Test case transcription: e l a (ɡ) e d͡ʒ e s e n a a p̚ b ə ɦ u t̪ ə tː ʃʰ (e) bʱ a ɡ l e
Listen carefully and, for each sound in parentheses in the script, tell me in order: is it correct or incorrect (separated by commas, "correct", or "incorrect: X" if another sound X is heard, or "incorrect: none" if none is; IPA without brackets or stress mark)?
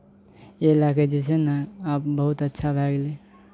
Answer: incorrect: k, incorrect: a